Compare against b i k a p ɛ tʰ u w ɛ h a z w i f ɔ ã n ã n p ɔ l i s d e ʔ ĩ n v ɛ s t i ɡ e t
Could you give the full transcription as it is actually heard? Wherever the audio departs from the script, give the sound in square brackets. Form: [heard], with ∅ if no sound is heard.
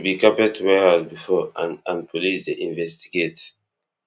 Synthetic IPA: b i k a p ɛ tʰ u w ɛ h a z [b] i f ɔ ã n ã n p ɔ l i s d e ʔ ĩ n v ɛ s t i ɡ e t